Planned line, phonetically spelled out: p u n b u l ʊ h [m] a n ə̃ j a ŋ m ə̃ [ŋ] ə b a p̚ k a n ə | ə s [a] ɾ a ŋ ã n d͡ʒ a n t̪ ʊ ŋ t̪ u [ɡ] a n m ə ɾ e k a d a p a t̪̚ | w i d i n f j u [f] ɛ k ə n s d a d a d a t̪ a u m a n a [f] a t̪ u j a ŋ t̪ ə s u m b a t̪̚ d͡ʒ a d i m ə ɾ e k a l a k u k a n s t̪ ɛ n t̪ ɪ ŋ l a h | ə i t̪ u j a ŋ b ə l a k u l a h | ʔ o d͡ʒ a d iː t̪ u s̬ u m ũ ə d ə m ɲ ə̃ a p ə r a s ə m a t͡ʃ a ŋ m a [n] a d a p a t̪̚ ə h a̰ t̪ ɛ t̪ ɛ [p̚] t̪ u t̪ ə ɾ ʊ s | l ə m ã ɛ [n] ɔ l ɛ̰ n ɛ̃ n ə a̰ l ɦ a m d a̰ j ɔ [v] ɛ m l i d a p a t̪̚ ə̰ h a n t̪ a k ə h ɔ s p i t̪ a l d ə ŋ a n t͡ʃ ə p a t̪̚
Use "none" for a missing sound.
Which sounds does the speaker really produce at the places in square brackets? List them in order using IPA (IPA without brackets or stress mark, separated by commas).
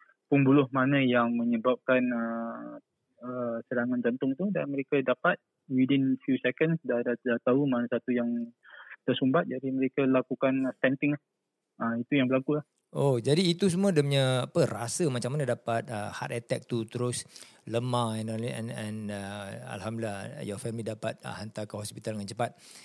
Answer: m, ɲ, ə, d, s, s, n, k̚, n, f